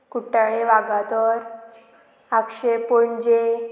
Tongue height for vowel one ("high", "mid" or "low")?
high